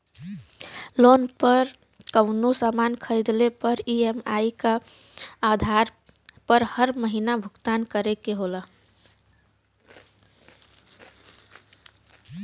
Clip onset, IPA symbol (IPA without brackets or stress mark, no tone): l